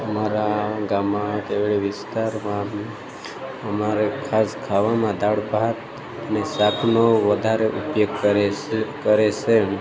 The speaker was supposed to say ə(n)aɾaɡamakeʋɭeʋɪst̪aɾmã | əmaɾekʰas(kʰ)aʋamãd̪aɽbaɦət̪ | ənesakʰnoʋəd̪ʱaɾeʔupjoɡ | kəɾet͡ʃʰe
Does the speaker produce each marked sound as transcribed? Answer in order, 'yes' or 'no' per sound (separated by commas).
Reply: no, yes